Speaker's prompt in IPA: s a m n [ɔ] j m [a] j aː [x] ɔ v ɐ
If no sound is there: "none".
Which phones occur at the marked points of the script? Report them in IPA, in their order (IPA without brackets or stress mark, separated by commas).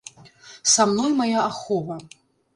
ɔ, a, x